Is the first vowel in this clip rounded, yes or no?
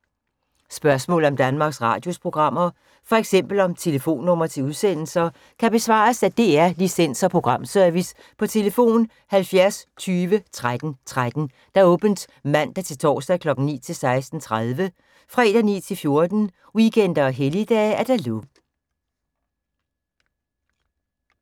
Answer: yes